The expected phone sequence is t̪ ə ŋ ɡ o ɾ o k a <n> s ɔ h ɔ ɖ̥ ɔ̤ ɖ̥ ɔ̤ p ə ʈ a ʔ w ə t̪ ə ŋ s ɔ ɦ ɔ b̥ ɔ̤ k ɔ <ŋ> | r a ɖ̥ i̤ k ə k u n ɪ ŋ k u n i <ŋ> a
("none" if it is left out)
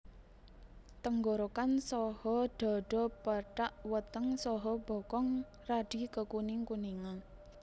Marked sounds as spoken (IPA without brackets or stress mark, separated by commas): n, ŋ, ŋ